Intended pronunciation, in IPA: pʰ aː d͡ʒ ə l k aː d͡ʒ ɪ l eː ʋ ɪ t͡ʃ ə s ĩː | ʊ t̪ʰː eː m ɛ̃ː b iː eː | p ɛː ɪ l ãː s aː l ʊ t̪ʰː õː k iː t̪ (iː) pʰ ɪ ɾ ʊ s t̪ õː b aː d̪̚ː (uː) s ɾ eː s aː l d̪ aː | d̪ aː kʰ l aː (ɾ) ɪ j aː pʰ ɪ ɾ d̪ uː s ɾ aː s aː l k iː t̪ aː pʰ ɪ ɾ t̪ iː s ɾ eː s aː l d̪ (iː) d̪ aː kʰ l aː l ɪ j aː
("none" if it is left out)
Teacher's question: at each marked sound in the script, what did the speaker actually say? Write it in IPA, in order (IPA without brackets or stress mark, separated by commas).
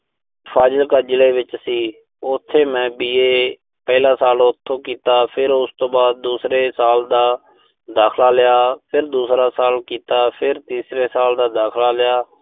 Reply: aː, uː, l, aː